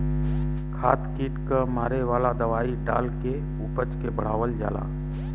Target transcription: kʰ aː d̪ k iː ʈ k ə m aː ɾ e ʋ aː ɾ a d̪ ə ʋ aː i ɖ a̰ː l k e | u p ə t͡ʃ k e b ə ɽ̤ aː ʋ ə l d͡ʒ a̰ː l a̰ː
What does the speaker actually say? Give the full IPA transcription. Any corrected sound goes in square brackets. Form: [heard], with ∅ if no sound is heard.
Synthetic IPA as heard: kʰ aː [t̪] k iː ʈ k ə m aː ɾ e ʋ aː [l] a d̪ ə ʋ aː i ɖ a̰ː l k e | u p ə t͡ʃ k e b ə ɽ̤ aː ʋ ə l d͡ʒ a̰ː l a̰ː